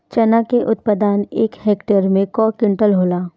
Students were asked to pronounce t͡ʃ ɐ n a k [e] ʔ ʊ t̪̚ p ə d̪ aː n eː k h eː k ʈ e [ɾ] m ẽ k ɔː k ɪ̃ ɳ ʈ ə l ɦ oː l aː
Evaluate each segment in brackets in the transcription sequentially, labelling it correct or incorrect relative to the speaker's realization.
correct, correct

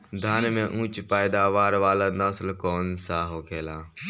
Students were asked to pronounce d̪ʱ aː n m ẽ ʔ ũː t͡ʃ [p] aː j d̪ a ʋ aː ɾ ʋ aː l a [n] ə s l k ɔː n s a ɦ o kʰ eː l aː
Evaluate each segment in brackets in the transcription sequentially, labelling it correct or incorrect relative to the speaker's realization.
correct, correct

